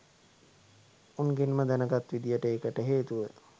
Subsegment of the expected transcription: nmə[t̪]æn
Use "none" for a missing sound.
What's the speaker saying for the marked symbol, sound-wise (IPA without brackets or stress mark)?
d̪